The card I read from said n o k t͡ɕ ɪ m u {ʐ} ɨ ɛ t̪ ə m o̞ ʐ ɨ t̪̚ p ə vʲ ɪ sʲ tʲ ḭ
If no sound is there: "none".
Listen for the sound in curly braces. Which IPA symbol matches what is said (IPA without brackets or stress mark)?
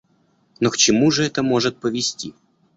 ʐ